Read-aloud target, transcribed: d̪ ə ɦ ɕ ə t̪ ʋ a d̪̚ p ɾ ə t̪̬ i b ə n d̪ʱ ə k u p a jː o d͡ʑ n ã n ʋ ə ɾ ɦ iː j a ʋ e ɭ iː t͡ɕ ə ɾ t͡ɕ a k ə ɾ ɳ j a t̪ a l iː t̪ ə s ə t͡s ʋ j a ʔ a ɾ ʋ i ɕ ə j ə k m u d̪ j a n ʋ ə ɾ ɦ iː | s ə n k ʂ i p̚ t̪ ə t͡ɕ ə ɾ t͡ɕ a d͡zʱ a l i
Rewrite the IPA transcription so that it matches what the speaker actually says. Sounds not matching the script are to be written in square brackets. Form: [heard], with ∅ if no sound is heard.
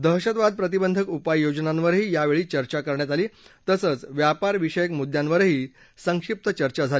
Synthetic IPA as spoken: d̪ ə ɦ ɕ ə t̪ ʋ a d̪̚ p ɾ ə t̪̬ i b ə n d̪ʱ ə k u p a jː o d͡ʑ n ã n ʋ ə ɾ ɦ iː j a ʋ e ɭ iː t͡ɕ ə ɾ t͡ɕ a k ə ɾ ɳ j a t̪ a l iː t̪ ə s ə t͡s ʋ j a [p] a ɾ ʋ i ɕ ə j ə k m u d̪ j a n ʋ ə ɾ ɦ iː | s ə [ŋ] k ʂ i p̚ t̪ ə t͡ɕ ə ɾ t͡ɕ a d͡zʱ a l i

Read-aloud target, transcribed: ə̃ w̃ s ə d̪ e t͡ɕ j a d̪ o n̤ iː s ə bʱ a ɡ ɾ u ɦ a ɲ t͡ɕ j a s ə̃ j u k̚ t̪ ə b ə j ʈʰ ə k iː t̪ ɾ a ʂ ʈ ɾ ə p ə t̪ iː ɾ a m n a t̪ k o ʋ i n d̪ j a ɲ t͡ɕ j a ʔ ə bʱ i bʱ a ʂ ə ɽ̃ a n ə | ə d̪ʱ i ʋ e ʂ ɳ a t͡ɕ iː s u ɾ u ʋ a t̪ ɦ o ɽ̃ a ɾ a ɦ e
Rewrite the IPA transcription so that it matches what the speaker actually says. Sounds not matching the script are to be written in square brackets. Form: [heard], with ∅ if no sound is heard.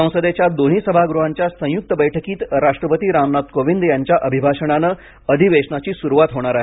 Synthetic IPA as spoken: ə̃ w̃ s ə d̪ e t͡ɕ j a d̪ o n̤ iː s ə bʱ a ɡ ɾ u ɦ a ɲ t͡ɕ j a s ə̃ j u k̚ t̪ ə b ə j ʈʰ ə k iː t̪ ɾ a ʂ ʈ ɾ ə p ə t̪ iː ɾ a m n a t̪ k o ʋ i n d̪ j a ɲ t͡ɕ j a ʔ ə bʱ i bʱ a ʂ ə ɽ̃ a n ə | ə d̪ʱ i ʋ e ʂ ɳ a t͡ɕ iː s u ɾ u ʋ a t̪ ɦ o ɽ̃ a ɾ a ɦ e

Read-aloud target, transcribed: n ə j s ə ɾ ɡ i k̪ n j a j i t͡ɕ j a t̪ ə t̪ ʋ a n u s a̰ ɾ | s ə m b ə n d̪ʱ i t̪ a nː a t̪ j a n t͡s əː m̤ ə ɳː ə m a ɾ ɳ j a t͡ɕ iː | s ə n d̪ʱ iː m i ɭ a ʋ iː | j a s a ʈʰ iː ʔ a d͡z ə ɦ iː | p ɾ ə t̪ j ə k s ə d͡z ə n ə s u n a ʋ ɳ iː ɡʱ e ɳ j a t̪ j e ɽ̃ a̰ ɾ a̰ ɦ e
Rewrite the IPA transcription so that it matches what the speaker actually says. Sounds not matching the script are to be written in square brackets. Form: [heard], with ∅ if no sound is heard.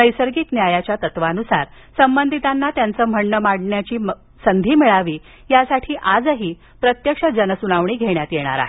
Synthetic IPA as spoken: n ə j s ə ɾ ɡ i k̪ n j a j [a] t͡ɕ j a t̪ ə t̪ ʋ a n u s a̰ ɾ | s ə m b ə n d̪ʱ i t̪ a nː a t̪ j a n t͡s əː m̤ ə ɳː ə m a [ɽ] ɳ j a t͡ɕ iː | s ə n d̪ʱ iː m i ɭ a ʋ iː | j a s a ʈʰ iː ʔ a d͡z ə ɦ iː | p ɾ ə t̪ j ə k [ʂ] ə d͡z ə n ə s u n a ʋ ɳ iː ɡʱ e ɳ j a t̪ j e ɽ̃ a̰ ɾ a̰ ɦ e

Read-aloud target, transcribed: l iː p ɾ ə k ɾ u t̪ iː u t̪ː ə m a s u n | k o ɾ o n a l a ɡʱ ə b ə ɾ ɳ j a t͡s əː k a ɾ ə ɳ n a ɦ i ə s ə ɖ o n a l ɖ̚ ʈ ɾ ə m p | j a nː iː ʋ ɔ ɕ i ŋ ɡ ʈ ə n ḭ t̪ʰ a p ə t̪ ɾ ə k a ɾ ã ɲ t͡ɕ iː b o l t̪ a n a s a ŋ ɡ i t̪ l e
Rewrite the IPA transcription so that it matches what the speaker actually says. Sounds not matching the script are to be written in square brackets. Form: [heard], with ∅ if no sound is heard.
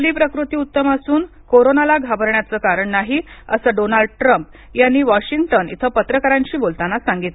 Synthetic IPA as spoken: l iː p ɾ ə k ɾ u t̪ iː u t̪ː ə m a s [uː] n | k o ɾ o n a l a ɡʱ [a] b ə ɾ ɳ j a t͡s əː k a ɾ ə ɳ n a ɦ i ə s ə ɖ o n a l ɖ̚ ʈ ɾ ə m p | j a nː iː ʋ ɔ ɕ i ŋ ɡ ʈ ə n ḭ t̪ʰ [ə] p ə t̪ ɾ ə k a ɾ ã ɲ t͡ɕ iː b o l t̪ a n a s a ŋ ɡ i t̪ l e

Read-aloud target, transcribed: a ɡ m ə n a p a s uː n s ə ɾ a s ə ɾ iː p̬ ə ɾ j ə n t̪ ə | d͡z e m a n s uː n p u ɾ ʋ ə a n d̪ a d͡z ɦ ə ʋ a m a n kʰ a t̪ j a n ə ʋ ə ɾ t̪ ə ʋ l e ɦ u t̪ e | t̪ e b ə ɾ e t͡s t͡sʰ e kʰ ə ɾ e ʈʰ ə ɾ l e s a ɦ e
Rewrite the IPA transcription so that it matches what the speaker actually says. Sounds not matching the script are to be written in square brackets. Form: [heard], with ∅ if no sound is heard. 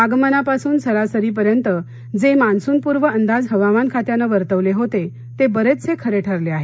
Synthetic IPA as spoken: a ɡ m ə n a p a s uː n s ə ɾ a s ə ɾ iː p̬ ə ɾ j ə n t̪ ə | d͡z e m a n s uː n p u ɾ ʋ ə [ə] n d̪ a d͡z ɦ ə ʋ a m a n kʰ a t̪ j a n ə ʋ ə ɾ t̪ ə ʋ l e ɦ [o] t̪ e | t̪ e b ə ɾ e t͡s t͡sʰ e kʰ ə ɾ e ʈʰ ə ɾ l e [∅] a ɦ e

